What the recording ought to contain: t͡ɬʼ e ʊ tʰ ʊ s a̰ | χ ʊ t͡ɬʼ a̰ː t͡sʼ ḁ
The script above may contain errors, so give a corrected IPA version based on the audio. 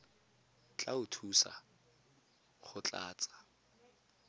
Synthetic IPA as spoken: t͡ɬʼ a ʊ tʰ u s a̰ | χ ʊ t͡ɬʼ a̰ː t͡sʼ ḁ